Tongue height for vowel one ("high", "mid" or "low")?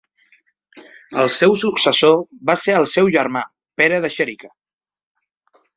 mid